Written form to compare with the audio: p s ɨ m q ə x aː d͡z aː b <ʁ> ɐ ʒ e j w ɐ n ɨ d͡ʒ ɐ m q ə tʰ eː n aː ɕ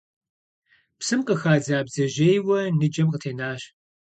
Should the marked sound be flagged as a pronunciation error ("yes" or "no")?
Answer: yes